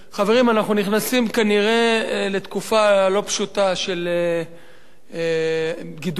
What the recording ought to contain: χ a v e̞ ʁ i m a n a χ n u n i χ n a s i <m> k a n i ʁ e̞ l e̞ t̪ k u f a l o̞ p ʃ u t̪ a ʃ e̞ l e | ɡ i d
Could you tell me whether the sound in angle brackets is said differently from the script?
no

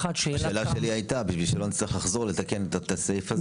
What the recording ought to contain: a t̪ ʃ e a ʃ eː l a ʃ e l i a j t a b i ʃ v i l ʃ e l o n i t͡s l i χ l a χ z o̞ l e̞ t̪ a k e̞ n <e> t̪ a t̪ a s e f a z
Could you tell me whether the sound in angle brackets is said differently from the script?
no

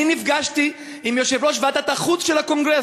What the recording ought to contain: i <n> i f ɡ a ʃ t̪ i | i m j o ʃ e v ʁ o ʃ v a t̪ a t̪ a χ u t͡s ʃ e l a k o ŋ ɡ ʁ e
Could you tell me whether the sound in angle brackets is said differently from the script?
no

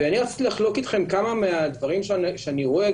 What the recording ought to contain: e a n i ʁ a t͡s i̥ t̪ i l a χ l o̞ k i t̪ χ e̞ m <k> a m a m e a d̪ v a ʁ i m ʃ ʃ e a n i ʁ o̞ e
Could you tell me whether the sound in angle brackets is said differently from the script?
no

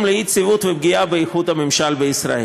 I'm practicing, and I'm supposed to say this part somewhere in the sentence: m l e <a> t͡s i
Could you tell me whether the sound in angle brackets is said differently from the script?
yes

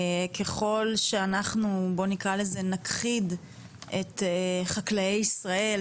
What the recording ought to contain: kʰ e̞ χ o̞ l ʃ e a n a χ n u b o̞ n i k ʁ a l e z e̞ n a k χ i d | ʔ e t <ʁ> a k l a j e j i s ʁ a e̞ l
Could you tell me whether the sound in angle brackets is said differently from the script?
yes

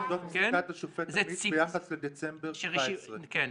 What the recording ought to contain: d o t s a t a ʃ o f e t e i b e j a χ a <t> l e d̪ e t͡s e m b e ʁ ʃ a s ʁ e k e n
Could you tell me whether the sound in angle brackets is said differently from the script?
yes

